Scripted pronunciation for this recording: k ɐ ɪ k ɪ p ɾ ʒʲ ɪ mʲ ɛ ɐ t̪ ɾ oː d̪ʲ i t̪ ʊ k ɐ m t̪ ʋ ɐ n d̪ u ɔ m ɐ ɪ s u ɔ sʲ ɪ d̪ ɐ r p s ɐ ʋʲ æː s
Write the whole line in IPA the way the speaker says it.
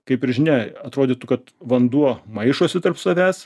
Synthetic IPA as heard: k ɐ ɪ p ɪ ɾ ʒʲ ɪ nʲ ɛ ɐ t̪ ɾ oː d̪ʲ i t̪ ʊ k ɐ t̪ ʋ ɐ n d̪ u ɔ m ɐ ɪ ʃ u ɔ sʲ ɪ t̪ ɐ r p s ɐ ʋʲ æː s

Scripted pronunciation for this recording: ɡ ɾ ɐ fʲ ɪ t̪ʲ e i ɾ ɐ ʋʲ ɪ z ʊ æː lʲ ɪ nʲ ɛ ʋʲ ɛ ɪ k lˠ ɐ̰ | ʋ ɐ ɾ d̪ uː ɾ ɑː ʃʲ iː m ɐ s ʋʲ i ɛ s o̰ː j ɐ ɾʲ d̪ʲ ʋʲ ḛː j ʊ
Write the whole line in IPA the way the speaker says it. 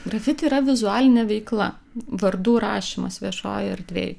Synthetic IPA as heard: ɡ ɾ ɐ fʲ ɪ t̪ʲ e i ɾ ɐ ʋʲ ɪ z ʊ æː lʲ ɪ nʲ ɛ ʋʲ ɛ ɪ k lˠ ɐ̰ | ʋ ɐ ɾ d̪ uː ɾ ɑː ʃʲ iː m ɐ s ʋʲ i ɛ ʃ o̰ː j ɐ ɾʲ d̪ʲ ʋʲ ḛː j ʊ

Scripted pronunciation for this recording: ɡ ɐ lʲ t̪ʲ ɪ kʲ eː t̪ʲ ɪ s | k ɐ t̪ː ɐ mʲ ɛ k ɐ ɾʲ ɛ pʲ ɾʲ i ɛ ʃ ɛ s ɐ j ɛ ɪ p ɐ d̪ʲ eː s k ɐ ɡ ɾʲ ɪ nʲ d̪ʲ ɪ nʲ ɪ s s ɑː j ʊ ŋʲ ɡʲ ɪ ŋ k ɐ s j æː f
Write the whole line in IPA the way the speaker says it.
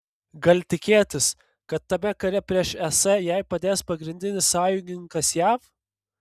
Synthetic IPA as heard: ɡ ɐ lʲ t̪ʲ ɪ kʲ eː t̪ʲ ɪ s | k ɐ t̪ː ɐ mʲ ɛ k ɐ ɾʲ ɛ pʲ ɾʲ i ɛ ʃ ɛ s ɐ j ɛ ɪ p ɐ d̪ʲ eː s p ɐ ɡ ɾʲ ɪ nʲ d̪ʲ ɪ nʲ ɪ s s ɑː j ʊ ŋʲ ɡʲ ɪ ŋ k ɐ s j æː f

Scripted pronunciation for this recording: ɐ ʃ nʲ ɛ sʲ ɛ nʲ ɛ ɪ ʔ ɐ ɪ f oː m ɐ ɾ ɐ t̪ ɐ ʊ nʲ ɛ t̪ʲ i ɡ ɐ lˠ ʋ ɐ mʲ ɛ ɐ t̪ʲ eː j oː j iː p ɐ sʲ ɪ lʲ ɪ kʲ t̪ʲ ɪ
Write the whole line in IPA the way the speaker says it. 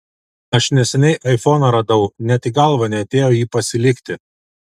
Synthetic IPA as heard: ɐ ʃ nʲ ɛ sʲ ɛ nʲ ɛ ɪ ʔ ɐ ɪ f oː n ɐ ɾ ɐ d̪ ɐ ʊ nʲ ɛ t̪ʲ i ɡ ɐ lˠ ʋ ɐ nʲ ɛ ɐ t̪ʲ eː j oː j iː p ɐ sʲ ɪ lʲ ɪ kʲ t̪ʲ ɪ

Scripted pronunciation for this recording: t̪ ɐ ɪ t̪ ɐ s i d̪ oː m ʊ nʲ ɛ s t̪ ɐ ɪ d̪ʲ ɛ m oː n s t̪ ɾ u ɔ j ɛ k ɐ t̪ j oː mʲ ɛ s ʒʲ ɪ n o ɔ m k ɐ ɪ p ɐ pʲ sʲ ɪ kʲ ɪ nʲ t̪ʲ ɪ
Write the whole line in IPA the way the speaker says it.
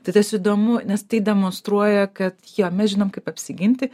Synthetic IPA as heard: t̪ ɐ ɪ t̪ ɐ s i d̪ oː m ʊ nʲ ɛ s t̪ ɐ ɪ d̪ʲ ɛ m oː n s t̪ ɾ u ɔ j ɛ k ɐ t̪ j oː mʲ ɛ s ʒʲ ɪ n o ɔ m k ɐ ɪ p ɐ pʲ sʲ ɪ ɡʲ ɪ nʲ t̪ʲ ɪ

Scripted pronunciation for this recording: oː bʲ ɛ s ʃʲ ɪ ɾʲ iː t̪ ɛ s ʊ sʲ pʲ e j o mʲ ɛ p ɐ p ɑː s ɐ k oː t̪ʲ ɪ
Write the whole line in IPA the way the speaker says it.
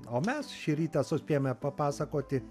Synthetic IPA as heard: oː mʲ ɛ s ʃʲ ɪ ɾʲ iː t̪ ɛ s ʊ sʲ pʲ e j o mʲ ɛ p ɐ p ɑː s ɐ k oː t̪ʲ ɪ

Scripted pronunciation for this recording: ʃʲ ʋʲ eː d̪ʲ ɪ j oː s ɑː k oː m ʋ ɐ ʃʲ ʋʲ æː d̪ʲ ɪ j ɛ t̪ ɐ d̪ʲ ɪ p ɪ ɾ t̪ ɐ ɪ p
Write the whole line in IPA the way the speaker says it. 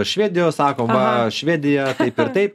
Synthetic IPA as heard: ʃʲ ʋʲ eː d̪ʲ ɪ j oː s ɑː k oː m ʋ ɐ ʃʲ ʋʲ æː d̪ʲ ɪ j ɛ t̪ ɐ ɪ p ɪ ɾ t̪ ɐ ɪ p

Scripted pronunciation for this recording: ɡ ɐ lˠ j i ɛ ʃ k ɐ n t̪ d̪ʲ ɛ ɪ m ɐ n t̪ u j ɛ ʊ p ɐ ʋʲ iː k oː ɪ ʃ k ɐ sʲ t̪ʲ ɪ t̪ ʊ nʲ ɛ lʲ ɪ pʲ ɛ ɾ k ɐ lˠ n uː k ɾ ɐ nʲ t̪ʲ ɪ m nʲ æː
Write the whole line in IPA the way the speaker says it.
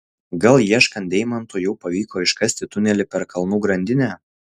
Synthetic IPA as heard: ɡ ɐ lˠ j i ɛ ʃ k ɐ n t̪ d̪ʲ ɛ ɪ m ɐ n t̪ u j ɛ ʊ p ɐ ʋʲ iː k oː ɪ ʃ k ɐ sʲ t̪ʲ ɪ t̪ ʊ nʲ ɛ lʲ ɪ pʲ ɛ ɾ k ɐ lˠ n uː ɡ ɾ ɐ nʲ d̪ʲ ɪ nʲ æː

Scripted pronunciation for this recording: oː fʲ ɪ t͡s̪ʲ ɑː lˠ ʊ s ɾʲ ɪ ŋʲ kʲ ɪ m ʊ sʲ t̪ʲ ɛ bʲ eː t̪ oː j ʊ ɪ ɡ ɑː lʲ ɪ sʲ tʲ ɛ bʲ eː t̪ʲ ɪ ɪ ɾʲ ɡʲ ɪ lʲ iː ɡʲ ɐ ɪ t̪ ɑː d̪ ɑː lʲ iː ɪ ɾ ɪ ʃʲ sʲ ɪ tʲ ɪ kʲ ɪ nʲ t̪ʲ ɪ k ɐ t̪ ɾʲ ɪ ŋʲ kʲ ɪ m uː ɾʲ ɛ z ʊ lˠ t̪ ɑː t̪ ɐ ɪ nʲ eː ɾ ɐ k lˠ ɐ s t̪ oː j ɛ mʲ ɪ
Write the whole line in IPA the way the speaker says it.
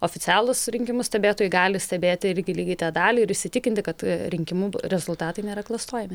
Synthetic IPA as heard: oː fʲ ɪ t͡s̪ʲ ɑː lˠ ʊ s ɾʲ ɪ ŋʲ kʲ ɪ m ʊ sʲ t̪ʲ ɛ bʲ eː t̪ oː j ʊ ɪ ɡ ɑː lʲ ɪ sʲ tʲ ɛ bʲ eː t̪ʲ ɪ ɪ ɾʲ ɡʲ ɪ lʲ iː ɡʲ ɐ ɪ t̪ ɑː d̪ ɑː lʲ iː ɪ ɾ ɪ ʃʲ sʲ ɪ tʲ ɪ kʲ ɪ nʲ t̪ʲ ɪ k ɐ t̪ ɾʲ ɪ ŋʲ kʲ ɪ m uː ɾʲ ɛ z ʊ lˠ t̪ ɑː t̪ ɐ ɪ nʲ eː ɾ ɐ k lˠ ɐ s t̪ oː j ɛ mʲ ɪ

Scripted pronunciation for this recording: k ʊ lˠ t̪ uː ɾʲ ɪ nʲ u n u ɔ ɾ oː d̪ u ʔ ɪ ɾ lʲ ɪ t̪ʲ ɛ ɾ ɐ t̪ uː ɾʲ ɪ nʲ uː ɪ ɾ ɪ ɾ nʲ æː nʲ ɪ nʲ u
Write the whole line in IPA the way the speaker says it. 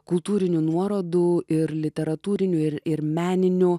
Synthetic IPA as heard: k ʊ lˠ t̪ uː ɾʲ ɪ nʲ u n u ɔ ɾ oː d̪ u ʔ ɪ ɾ lʲ ɪ t̪ʲ ɛ ɾ ɐ t̪ uː ɾʲ ɪ nʲ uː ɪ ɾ ɪ ɾ mʲ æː nʲ ɪ nʲ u

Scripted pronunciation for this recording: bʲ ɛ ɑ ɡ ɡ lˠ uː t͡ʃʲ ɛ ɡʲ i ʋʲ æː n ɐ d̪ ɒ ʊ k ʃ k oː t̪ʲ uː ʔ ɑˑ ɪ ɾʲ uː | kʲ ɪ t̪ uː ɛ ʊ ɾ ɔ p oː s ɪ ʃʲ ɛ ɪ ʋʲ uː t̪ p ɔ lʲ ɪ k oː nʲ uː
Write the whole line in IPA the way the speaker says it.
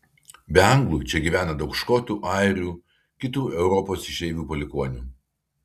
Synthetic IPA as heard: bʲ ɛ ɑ ŋ ɡ lˠ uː t͡ʃʲ ɛ ɡʲ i ʋʲ æː n ɐ d̪ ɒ ʊ k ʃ k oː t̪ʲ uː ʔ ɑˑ ɪ ɾʲ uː | kʲ ɪ t̪ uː ɛ ʊ ɾ ɔ p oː s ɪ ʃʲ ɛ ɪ ʋʲ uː p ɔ lʲ ɪ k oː nʲ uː

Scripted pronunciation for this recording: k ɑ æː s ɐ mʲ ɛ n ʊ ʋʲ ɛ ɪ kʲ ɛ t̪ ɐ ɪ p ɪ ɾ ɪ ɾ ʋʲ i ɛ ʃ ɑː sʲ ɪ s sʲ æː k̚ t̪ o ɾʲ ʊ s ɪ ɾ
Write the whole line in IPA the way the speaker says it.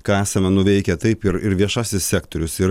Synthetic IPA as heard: k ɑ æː s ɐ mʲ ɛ n ʊ ʋʲ ɛ ɪ kʲ ɛ t̪ ɐ ɪ p ɪ ɾ ɪ ɾ ʋʲ i ɛ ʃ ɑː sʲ ɪ s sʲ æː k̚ t̪ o ɾʲ ʊ s ɪ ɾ

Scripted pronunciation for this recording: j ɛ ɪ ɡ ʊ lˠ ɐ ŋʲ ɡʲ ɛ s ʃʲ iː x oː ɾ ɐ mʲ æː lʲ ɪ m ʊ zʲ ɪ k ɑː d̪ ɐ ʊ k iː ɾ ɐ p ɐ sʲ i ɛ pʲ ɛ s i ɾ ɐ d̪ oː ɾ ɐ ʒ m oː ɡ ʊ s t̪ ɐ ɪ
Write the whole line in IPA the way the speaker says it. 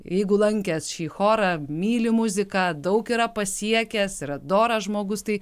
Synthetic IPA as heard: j ɛ ɪ ɡ ʊ lˠ ɐ ŋʲ kʲ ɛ s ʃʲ iː x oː ɾ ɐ mʲ iː lʲ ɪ m ʊ zʲ ɪ k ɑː d̪ ɐ ʊ k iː ɾ ɐ p ɐ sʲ i ɛ kʲ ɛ s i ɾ ɐ d̪ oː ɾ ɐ ʒ m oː ɡ ʊ s t̪ ɐ ɪ

